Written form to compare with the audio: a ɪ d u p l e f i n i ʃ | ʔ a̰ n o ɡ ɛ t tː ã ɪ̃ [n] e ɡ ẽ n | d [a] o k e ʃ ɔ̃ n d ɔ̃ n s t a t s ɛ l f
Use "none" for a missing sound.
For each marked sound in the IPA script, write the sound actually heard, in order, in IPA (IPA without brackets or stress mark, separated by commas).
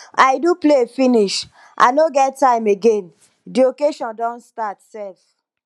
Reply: m, i